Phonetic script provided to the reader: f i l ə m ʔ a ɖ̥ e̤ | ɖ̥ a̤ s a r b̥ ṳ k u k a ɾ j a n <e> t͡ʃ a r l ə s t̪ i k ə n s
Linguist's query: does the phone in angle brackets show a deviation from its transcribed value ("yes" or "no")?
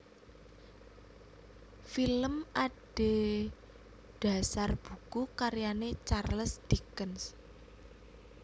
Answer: no